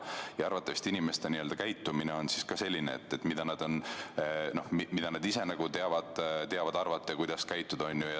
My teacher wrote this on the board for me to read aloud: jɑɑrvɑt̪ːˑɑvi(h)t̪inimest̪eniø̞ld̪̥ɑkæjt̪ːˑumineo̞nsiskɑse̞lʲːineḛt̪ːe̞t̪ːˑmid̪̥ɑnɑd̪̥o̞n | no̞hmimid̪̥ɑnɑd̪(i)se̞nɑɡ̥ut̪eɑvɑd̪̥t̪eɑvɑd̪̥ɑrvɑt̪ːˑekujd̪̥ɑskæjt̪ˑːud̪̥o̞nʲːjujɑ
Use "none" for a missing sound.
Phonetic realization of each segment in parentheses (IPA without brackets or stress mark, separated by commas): s, i